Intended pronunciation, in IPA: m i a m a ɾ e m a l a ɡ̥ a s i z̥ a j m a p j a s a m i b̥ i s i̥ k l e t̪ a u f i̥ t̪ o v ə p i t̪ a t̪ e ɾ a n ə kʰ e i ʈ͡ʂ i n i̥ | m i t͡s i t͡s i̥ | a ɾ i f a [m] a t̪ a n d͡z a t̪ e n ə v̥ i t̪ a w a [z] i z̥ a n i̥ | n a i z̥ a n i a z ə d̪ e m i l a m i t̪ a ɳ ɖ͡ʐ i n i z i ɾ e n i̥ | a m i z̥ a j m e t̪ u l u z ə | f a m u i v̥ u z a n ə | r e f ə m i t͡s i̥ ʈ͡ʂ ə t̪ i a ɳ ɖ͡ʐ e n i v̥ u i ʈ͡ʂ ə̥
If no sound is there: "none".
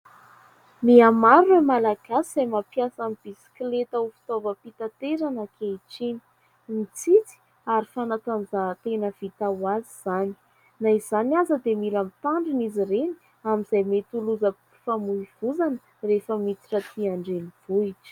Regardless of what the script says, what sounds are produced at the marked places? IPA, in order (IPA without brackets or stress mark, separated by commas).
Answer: n, z